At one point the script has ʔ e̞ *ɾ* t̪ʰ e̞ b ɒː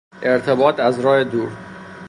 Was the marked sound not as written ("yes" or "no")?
no